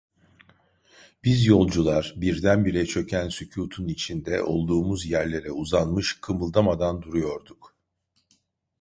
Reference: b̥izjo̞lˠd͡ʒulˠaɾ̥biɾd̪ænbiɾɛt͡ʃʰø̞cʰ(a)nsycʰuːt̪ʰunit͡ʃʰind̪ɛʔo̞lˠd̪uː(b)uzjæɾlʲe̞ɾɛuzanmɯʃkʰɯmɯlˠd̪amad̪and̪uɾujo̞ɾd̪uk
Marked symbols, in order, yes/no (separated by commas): no, no